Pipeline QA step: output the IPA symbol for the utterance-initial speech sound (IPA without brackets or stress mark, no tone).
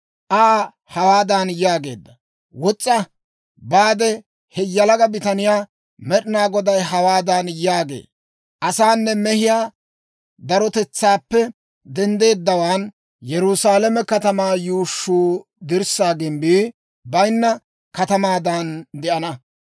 ʔ